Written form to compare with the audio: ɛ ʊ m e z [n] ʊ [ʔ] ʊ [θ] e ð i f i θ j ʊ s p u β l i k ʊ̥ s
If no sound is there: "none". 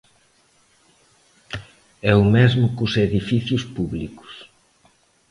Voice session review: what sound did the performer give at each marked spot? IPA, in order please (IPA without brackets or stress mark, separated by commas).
m, k, s